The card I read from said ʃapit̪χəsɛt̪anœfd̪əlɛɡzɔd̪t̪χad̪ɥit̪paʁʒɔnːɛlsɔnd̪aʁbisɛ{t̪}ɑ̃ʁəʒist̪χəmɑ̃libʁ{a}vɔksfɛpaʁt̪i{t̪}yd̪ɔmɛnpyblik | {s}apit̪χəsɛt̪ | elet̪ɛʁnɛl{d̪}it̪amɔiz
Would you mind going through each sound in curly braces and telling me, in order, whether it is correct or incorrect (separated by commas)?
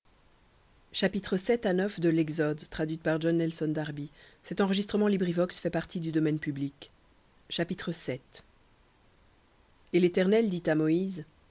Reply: correct, incorrect, incorrect, incorrect, correct